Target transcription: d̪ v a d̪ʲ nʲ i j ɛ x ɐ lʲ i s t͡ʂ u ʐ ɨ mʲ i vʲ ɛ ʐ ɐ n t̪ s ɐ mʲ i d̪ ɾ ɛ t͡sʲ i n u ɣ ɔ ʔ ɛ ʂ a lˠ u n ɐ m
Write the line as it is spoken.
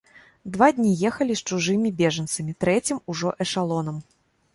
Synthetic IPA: d̪ v a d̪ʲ nʲ i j ɛ x ɐ lʲ i s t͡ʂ u ʐ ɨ mʲ i bʲ ɛ ʐ ɐ n t̪ s ɐ mʲ i t̪ ɾ ɛ t͡sʲ i m u ʐ ɔ ʔ ɛ ʂ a lˠ ɔ n ɐ m

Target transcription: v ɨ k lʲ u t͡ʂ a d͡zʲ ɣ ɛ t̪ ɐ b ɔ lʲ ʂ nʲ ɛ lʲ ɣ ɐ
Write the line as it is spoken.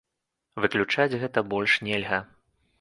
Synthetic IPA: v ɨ k lʲ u t͡ʂ a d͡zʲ ɣ ɛ t̪ ɐ b ɔ lʲ ʂ nʲ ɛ lʲ ɣ ɐ

